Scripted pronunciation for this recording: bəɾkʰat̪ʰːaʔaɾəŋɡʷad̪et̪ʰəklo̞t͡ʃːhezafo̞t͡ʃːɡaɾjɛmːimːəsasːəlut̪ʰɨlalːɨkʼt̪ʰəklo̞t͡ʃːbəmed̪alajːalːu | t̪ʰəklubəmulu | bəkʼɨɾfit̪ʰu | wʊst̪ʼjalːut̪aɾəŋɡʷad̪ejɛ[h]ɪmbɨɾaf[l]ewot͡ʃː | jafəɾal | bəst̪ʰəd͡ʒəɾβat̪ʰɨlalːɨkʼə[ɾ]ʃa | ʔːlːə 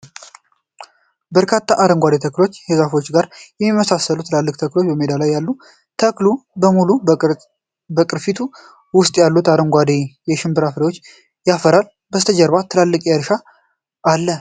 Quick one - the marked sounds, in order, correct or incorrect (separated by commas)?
incorrect, incorrect, correct